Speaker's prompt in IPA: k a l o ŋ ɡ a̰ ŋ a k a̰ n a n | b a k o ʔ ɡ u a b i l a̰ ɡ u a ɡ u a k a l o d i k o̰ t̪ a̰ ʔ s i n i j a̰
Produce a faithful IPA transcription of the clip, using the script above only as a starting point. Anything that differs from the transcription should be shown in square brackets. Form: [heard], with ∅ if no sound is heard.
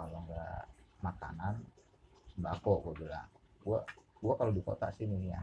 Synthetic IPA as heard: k a l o ŋ ɡ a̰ [m] a k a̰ n a n | b a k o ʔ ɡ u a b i l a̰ ɡ u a ɡ u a k a l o d i k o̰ t̪ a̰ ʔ s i n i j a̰